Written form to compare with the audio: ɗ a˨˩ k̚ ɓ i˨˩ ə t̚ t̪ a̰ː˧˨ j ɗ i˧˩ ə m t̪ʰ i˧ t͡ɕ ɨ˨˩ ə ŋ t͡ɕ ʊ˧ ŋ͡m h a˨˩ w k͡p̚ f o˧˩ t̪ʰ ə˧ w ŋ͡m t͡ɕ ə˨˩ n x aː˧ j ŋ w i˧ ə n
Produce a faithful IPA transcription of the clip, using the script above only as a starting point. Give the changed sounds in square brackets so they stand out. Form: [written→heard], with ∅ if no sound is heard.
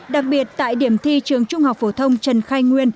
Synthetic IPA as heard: ɗ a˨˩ k̚ ɓ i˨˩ ə t̚ t̪ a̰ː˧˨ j ɗ i˧˩ ə m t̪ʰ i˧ t͡ɕ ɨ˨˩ ə ŋ t͡ɕ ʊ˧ ŋ͡m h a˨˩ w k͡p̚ f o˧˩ t̪ʰ ə˧ w ŋ͡m t͡ɕ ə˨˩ n x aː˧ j ŋ w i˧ ə n